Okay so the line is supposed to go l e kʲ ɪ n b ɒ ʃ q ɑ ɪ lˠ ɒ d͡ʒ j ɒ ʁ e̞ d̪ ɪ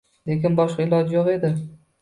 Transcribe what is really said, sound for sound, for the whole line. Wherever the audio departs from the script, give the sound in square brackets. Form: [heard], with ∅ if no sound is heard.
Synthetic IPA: l e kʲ ɪ n b ɒ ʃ q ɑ ɪ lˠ ɒ d͡ʒ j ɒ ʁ e̞ d̪ ɪ